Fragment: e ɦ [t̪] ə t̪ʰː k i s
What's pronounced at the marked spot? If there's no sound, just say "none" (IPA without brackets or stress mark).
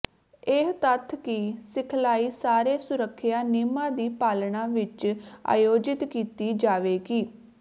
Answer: t̪